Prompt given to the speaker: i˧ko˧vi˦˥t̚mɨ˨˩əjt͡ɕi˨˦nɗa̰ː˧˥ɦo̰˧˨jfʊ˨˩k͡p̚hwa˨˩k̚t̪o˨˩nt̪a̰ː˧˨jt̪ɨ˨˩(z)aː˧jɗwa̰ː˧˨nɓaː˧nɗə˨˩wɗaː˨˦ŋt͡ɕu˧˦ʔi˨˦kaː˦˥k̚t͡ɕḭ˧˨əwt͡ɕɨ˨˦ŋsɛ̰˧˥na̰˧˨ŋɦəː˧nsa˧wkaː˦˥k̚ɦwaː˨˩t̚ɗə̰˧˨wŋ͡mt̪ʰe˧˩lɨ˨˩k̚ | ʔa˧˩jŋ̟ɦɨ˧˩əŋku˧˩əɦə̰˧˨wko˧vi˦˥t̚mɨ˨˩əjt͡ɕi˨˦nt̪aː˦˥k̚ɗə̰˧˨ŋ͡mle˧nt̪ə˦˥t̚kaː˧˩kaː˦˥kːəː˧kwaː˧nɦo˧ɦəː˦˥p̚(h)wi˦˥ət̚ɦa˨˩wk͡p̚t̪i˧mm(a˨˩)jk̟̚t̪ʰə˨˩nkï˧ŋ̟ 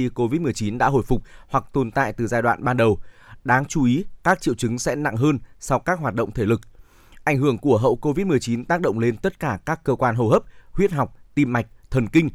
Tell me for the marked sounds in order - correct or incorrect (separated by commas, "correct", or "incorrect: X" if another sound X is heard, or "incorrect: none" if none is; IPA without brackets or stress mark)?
correct, correct, correct